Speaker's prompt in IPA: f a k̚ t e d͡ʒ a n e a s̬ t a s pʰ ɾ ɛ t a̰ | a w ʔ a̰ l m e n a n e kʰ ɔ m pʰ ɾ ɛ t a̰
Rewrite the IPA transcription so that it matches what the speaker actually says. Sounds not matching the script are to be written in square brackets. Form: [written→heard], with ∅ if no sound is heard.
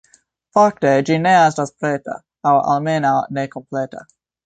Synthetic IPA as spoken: f a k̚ t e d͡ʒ [a→i] n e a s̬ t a s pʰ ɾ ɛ t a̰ | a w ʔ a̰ l m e n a n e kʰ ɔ m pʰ [ɾ→l] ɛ t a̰